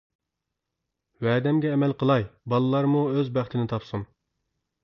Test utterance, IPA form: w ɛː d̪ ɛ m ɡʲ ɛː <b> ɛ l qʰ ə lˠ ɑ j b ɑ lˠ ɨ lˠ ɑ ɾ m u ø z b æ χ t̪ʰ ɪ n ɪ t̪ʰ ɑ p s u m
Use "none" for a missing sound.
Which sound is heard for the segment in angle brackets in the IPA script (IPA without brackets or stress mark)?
m